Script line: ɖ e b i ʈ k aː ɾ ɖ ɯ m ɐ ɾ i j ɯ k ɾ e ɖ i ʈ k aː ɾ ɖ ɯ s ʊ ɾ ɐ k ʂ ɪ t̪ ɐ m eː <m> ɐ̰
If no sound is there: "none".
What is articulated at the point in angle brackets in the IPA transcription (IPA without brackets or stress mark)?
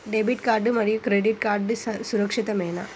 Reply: n